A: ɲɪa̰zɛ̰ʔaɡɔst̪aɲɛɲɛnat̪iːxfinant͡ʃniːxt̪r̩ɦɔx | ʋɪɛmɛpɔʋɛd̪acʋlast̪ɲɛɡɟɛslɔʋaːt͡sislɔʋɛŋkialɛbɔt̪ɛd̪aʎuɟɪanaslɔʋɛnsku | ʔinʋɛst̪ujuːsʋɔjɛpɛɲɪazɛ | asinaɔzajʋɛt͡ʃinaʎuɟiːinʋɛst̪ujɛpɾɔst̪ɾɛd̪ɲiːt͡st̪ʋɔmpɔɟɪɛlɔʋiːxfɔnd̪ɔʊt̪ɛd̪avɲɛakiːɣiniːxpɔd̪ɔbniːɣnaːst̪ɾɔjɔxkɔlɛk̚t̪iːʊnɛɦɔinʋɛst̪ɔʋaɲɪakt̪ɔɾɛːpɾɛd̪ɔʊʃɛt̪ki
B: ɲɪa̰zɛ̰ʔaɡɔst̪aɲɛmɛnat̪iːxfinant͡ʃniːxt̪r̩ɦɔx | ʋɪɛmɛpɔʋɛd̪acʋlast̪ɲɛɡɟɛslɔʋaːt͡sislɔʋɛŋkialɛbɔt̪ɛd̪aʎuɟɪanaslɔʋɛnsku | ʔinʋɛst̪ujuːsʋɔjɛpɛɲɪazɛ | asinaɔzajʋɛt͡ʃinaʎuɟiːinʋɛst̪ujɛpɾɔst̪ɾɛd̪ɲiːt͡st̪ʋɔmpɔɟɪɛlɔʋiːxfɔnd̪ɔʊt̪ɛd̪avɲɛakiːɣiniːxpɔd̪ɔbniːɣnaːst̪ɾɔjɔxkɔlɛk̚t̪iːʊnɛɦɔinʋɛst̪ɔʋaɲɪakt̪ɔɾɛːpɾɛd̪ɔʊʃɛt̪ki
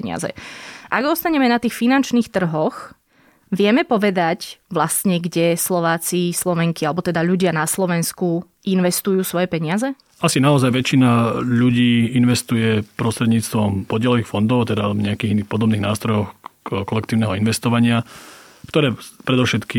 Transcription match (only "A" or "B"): B